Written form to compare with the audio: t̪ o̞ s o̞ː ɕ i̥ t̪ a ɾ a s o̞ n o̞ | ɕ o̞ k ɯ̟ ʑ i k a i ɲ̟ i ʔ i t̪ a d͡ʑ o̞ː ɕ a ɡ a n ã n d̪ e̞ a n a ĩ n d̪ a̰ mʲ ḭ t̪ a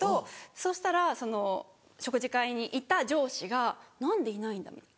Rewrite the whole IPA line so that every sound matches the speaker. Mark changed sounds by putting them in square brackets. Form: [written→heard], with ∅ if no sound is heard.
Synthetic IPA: t̪ o̞ s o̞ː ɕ i̥ t̪ a ɾ a s o̞ n o̞ | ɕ o̞ k ɯ̟ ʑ i k a i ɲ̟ i ʔ i t̪ a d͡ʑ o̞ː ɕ [a→i] ɡ a n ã n d̪ e̞ [a→i] n a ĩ n d̪ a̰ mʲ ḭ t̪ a